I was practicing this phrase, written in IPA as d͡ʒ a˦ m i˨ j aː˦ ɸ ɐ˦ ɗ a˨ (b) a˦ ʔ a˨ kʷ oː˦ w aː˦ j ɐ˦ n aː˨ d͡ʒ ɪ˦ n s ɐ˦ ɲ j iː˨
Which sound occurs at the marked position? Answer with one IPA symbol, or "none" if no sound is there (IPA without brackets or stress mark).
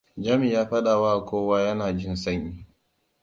w